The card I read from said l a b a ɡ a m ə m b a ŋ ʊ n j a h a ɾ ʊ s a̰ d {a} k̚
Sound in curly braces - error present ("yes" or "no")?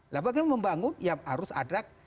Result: no